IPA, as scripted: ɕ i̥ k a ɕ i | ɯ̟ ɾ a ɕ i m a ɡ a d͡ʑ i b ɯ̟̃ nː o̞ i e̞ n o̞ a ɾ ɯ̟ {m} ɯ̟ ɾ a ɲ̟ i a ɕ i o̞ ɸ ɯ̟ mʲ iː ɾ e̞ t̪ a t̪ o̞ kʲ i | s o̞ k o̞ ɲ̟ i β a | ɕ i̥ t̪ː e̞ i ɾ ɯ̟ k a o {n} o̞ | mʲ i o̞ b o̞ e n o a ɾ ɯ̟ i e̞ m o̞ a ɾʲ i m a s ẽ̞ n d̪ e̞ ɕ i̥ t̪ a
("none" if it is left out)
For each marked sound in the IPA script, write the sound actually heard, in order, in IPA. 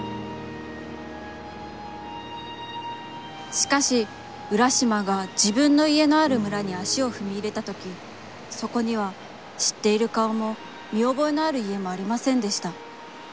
m, m

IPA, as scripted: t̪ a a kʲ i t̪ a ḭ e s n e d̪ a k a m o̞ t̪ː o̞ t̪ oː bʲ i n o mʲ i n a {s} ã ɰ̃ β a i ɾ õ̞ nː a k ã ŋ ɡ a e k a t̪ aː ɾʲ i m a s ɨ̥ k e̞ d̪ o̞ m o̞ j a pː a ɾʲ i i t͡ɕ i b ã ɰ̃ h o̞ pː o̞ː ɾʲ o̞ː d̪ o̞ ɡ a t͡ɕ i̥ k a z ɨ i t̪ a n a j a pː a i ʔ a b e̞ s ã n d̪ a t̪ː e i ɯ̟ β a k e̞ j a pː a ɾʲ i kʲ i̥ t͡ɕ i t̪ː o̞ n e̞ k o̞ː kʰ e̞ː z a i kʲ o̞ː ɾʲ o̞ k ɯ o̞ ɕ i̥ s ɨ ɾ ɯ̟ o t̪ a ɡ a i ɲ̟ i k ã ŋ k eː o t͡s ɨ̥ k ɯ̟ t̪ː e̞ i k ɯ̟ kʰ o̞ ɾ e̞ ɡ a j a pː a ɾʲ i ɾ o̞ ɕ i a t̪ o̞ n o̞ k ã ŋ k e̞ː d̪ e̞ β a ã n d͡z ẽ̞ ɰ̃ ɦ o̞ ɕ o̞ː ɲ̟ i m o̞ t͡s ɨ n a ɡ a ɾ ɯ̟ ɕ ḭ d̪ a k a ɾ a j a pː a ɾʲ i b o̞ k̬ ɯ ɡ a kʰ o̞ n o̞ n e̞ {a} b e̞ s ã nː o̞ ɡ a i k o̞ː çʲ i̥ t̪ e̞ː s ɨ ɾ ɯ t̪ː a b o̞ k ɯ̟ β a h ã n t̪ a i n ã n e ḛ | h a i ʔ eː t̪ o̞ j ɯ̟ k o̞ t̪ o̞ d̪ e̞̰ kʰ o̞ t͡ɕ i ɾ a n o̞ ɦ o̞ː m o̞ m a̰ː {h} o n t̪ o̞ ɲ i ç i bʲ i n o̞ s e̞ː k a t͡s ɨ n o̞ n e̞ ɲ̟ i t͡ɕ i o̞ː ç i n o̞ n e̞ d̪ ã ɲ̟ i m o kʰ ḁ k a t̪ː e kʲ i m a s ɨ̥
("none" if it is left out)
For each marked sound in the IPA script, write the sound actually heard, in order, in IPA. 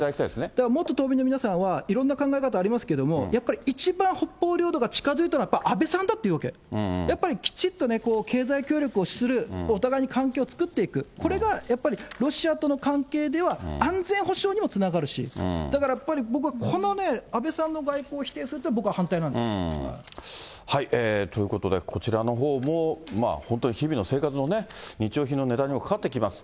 s, a, h

